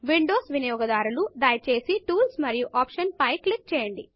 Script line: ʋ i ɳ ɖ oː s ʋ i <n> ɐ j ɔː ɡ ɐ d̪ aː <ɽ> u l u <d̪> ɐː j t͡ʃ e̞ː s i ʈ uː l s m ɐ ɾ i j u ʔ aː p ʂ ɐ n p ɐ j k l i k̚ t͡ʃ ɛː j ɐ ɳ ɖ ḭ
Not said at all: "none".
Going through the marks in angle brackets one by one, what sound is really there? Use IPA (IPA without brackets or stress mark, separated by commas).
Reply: n, ɾ, d̪